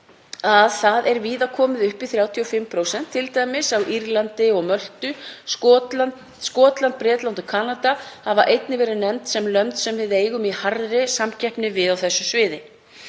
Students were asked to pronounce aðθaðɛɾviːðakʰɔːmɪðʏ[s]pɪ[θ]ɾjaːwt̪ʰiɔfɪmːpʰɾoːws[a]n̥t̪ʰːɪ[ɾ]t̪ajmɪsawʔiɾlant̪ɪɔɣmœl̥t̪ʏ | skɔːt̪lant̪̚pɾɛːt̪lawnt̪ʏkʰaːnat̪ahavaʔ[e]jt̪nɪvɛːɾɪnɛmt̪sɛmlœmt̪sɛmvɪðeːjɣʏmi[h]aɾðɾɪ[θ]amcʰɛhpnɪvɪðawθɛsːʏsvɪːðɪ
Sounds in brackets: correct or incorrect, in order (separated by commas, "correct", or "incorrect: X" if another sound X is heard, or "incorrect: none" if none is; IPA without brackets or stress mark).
incorrect: h, correct, incorrect: ɛ, incorrect: l, correct, correct, incorrect: s